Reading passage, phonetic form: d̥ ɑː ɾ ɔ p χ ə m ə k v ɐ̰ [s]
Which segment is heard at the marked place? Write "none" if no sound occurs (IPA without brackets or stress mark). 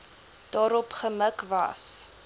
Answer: s